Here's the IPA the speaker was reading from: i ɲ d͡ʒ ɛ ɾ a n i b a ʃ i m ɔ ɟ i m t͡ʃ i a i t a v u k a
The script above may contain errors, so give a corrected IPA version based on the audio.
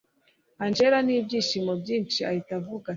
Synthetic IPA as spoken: a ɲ d͡ʒ ɛ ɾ a n i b i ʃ i m ɔ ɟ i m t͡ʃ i a i t a v u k a